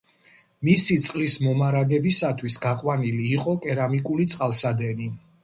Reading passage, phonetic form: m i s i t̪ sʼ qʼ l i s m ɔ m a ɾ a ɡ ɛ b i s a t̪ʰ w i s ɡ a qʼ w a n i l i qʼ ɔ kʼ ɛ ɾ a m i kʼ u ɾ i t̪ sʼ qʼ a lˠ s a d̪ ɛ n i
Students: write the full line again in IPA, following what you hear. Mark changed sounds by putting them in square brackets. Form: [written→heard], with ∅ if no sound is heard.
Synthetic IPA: m i s i t̪ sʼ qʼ l i s m ɔ m a ɾ a ɡ ɛ b i s a t̪ʰ w i s ɡ a qʼ w a n i l [i→iː] qʼ ɔ kʼ ɛ ɾ a m i kʼ u [ɾ→l] i t̪ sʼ qʼ a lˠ s a d̪ ɛ n i

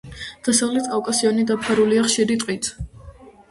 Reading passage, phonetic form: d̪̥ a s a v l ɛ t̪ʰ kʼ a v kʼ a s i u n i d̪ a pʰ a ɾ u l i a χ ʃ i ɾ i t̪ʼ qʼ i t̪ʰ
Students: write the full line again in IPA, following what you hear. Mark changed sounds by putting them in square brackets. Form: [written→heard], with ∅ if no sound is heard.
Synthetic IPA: d̪̥ a s a v l ɛ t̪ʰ kʼ a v kʼ a s i [u→ɔ] n i d̪ a pʰ a ɾ u l i a χ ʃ i ɾ i t̪ʼ qʼ i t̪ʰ

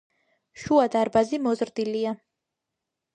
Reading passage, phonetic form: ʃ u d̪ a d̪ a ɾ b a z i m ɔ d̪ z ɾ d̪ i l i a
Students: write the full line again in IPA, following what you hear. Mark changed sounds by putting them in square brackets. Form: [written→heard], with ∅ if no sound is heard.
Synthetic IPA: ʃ u [d̪→∅] a d̪ a ɾ b a z i m ɔ [d̪→∅] z ɾ d̪ i l i a

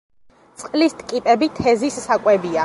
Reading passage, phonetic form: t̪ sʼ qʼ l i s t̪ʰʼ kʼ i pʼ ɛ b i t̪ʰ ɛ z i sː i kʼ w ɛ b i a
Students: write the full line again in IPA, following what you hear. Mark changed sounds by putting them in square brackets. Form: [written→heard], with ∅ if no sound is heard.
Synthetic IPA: t̪ sʼ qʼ l i s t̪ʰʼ kʼ i pʼ ɛ b i t̪ʰ ɛ z i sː [i→a] kʼ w ɛ b i a

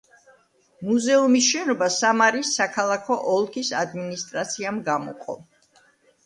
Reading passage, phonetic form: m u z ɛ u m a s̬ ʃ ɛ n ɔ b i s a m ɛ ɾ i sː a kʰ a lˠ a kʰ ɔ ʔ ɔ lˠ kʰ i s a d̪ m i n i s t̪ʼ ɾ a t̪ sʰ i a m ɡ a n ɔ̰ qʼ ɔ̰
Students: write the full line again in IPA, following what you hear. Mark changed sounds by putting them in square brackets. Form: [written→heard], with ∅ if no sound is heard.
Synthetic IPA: m u z ɛ u m [a→i] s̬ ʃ ɛ n ɔ b [i→a] s a m [ɛ→a] ɾ i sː a kʰ a lˠ a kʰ ɔ ʔ ɔ lˠ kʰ i s a d̪ m i n i s t̪ʼ ɾ a t̪ sʰ i a m ɡ a [n→m] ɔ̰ qʼ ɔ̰

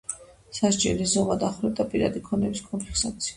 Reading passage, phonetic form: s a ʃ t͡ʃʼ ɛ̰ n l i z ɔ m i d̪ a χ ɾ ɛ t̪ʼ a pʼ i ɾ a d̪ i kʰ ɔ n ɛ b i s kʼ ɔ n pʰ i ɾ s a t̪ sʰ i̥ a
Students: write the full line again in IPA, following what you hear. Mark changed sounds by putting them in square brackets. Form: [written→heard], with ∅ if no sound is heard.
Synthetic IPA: s a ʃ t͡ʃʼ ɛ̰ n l i z ɔ m [i→a] d̪ a χ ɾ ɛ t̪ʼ a pʼ i ɾ a d̪ i kʰ ɔ n ɛ b i s kʼ ɔ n pʰ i ɾ s a t̪ sʰ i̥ a

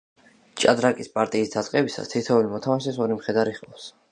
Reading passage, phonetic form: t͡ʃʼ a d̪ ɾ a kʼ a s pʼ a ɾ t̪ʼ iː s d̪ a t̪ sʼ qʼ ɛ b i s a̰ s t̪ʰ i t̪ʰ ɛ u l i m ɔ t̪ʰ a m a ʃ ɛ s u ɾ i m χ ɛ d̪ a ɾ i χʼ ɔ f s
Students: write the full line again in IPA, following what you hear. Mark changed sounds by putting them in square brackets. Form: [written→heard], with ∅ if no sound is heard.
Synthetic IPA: t͡ʃʼ a d̪ ɾ a kʼ [a→i] s pʼ a ɾ t̪ʼ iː s d̪ a t̪ sʼ qʼ ɛ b i s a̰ s t̪ʰ i t̪ʰ ɛ u l i m ɔ t̪ʰ a m a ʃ ɛ s [u→ɔ] ɾ i m χ ɛ d̪ a ɾ i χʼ ɔ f s

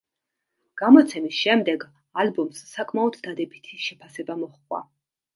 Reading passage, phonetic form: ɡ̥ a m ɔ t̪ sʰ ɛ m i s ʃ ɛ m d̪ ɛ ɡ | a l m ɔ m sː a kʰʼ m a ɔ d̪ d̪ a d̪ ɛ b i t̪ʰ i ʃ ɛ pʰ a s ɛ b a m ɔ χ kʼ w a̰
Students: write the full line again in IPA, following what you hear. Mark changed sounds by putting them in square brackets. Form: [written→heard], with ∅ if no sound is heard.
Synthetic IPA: ɡ̥ a m ɔ t̪ sʰ ɛ m i s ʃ ɛ m d̪ ɛ ɡ | a l [m→b] ɔ m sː a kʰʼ m a ɔ d̪ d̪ a d̪ ɛ b i t̪ʰ i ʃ ɛ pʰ a s ɛ b a m ɔ χ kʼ w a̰

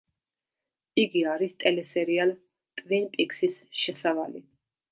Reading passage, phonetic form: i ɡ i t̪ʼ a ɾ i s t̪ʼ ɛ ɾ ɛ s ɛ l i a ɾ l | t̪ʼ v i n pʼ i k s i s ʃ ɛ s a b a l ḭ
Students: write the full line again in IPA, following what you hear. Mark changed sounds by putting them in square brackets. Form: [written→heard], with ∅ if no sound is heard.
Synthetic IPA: i ɡ i [t̪ʼ→∅] a ɾ i s t̪ʼ ɛ [ɾ→l] ɛ s ɛ [l→ɾ] i a [ɾ→∅] l | t̪ʼ v i n pʼ i k s i s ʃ ɛ s a [b→v] a l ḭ

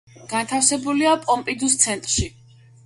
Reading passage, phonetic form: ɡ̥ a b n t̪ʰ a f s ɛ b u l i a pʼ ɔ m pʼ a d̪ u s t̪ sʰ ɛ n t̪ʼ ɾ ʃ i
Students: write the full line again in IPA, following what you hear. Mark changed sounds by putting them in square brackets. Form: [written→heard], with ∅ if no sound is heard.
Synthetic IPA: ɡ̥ a [b→∅] n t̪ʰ a f s ɛ b u l i a pʼ ɔ m pʼ [a→i] d̪ u s t̪ sʰ ɛ n t̪ʼ ɾ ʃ i

